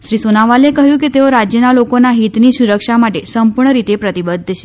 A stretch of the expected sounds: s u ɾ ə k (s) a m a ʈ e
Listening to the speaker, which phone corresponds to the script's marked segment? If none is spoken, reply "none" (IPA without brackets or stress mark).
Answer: ʃ